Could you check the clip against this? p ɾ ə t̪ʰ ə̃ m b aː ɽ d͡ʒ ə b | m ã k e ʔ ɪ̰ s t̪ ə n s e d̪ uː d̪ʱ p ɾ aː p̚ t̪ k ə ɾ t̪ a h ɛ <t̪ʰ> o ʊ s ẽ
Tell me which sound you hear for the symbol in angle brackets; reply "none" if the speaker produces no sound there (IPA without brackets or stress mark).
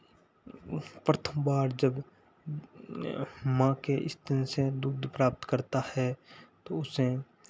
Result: t̪